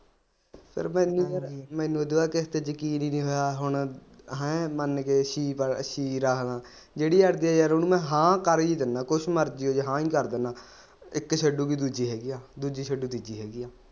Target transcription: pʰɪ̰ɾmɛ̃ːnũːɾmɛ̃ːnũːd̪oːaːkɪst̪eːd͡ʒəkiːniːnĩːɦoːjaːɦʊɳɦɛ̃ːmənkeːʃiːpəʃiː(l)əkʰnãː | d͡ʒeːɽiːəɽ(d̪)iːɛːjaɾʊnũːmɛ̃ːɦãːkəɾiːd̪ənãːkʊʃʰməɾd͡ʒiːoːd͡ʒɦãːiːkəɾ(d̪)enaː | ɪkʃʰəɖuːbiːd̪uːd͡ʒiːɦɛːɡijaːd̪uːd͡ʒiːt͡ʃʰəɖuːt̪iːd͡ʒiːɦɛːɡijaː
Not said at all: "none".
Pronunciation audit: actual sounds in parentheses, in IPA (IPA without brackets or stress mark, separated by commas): ɾ, d̪, d̪